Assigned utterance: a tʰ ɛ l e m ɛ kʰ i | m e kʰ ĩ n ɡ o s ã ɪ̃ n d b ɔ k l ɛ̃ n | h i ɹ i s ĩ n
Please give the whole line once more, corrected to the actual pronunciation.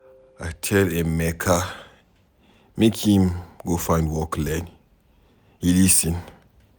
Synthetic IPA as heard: a tʰ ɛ l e m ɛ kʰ a | m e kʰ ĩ m ɡ o f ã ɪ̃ n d w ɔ k l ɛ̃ n | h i l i s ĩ n

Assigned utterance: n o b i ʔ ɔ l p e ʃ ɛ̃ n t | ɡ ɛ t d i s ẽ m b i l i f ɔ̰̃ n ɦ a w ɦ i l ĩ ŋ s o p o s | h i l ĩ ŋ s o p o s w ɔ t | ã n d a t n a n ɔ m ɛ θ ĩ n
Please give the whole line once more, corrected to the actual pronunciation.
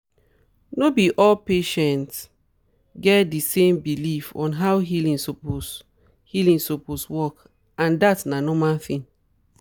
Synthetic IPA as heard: n o b i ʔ ɔ l p e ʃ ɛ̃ n t | ɡ ɛ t d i s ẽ m b i l i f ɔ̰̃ n ɦ a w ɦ i l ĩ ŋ s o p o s | h i l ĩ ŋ s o p o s w ɔ k | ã n d a t n a n ɔ m a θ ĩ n

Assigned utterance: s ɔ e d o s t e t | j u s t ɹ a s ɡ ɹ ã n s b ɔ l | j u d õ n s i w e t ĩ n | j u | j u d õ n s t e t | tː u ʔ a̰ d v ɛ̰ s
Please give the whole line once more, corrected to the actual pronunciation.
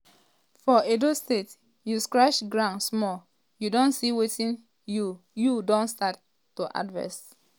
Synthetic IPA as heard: f ɔ e d o s t e t | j u s k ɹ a ʃ ɡ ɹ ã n s m ɔ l | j u d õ n s i w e t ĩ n | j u | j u d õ n s t a t | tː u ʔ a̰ d v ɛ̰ s

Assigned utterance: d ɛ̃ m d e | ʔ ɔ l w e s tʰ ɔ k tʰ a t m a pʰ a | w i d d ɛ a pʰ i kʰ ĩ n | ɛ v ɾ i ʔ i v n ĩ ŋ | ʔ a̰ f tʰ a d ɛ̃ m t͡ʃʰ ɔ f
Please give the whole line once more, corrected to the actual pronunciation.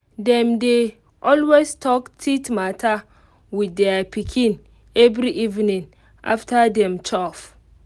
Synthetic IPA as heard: d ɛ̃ m d e | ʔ ɔ l w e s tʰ ɔ k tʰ i t m a tʰ a | w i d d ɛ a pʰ i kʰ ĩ n | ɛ v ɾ i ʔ i v n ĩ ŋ | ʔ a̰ f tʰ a d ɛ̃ m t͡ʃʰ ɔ f

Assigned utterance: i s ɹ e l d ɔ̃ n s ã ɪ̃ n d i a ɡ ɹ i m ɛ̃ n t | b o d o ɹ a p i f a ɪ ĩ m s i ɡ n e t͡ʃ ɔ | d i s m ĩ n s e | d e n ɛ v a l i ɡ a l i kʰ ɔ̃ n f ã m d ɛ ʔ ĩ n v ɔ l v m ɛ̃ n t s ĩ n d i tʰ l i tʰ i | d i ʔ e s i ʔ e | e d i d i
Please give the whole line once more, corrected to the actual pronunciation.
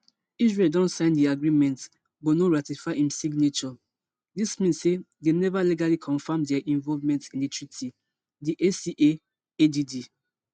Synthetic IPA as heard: i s ɹ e l d ɔ̃ n s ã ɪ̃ n d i a ɡ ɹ i m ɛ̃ n t | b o n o ɹ a t i f a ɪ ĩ m s i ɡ n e t͡ʃ ɔ | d i s m ĩ n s e | d e n ɛ v a l i ɡ a l i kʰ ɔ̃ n f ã m d ɛ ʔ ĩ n v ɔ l v m ɛ̃ n t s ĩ n d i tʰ ɹ i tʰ i | d i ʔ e s i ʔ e | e d i d i

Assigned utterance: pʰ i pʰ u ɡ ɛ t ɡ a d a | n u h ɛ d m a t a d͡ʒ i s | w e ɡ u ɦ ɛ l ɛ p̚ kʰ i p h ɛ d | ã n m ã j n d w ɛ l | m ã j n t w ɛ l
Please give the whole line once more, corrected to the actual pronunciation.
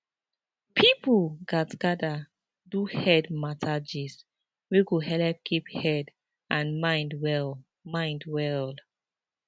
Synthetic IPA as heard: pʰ i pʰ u ɡ a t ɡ a d a | d u h ɛ d m a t a d͡ʒ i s | w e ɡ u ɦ ɛ l ɛ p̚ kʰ i p h ɛ d | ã n m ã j n d w ɛ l | m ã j n d w ɛ l

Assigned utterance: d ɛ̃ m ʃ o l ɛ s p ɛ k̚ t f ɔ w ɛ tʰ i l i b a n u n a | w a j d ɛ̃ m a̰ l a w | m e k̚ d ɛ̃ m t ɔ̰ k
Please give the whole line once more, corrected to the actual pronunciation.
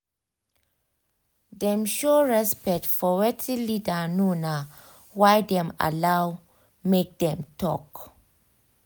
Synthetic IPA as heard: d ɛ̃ m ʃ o ɹ ɛ s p ɛ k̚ t f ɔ w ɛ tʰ i l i d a n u n a | w a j d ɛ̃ m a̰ l a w | m e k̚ d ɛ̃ m t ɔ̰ k

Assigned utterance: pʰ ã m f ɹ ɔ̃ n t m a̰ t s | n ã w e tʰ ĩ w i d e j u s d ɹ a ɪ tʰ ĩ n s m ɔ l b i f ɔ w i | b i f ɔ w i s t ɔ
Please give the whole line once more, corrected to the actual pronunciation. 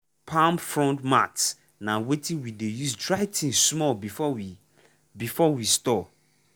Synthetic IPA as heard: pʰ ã m f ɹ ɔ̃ n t m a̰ t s | n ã w e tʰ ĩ w i d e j u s d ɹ a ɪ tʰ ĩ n s m ɔ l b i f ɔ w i | b i f ɔ w i s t ɔ

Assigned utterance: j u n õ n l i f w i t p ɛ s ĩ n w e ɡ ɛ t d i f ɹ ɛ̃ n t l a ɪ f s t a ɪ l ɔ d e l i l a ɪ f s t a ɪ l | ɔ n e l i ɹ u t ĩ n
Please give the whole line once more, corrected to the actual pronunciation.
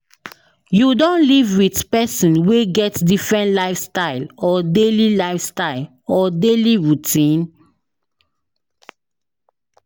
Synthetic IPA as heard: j u d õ n l i v w i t p ɛ s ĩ n w e ɡ ɛ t d i f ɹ ɛ̃ n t l a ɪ f s t a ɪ l ɔ d e l i l a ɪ f s t a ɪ l | ɔ d e l i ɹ u t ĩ n

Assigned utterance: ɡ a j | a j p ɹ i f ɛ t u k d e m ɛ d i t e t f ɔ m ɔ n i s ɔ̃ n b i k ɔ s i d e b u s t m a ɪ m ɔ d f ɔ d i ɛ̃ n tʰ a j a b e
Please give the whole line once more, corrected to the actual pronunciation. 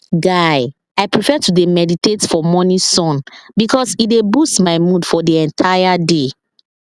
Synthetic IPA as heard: ɡ a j | a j p ɹ i f ɛ t u d e m ɛ d i t e t f ɔ m ɔ n i s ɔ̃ n b i k ɔ s i d e b u s t m a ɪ m u d f ɔ d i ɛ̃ n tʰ a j a d e

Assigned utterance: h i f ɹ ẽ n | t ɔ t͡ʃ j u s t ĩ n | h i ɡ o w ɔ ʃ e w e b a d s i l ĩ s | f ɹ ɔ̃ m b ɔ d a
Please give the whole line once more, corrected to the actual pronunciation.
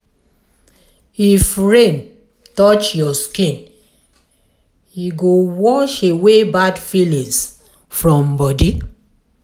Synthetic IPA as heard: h i f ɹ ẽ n | t ɔ t͡ʃ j ɔ s k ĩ n | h i ɡ o w ɔ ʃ e w e b a d f i l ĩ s | f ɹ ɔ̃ m b ɔ d i

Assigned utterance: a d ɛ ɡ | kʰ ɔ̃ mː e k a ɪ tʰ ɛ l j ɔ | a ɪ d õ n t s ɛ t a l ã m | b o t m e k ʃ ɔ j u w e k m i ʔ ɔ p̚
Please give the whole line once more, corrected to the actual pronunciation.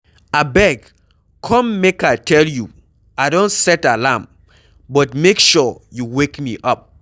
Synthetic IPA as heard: a b ɛ ɡ | kʰ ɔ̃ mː e k a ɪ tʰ ɛ l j u | a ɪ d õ n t s ɛ t a l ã m | b ɔ t m e k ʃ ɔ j u w e k m i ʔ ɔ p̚

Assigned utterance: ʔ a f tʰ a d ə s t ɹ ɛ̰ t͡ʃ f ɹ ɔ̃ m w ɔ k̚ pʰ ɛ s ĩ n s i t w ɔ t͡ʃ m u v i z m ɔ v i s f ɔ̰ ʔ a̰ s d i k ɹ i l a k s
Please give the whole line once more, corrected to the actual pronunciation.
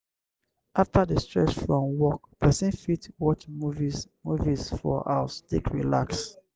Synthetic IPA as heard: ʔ a f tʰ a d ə s t ɹ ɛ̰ t͡ʃ f ɹ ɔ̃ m w ɔ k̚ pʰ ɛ s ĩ n f i t w ɔ t͡ʃ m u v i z m u v i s f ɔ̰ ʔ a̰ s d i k ɹ i l a k s

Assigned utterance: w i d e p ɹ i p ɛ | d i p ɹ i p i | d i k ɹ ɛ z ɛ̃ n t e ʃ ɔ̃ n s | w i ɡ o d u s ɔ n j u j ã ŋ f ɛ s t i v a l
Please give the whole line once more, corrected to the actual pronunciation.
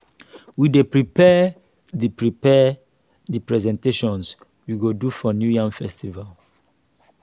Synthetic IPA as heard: w i d e p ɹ i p ɛ | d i p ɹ i p ɛ | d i p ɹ ɛ z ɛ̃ n t e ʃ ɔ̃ n s | w i ɡ o d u f ɔ n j u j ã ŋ f ɛ s t i v a l

